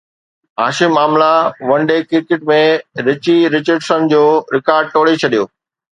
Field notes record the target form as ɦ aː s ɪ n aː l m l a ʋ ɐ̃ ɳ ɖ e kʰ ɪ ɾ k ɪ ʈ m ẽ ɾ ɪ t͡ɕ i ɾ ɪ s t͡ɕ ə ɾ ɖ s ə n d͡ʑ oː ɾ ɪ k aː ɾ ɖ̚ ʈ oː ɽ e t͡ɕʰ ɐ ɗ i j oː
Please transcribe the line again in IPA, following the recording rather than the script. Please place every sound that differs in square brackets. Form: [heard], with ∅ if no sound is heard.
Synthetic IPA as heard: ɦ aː [ʃ] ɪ [m] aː [∅] m l a ʋ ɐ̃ ɳ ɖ e [k] ɪ ɾ k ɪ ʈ m ẽ ɾ ɪ t͡ɕ i ɾ ɪ [∅] t͡ɕ ə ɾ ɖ s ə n d͡ʑ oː ɾ ɪ k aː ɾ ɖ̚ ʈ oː ɽ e t͡ɕʰ ɐ ɗ i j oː